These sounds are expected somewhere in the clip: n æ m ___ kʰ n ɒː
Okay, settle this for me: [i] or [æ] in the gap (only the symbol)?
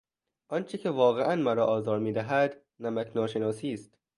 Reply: æ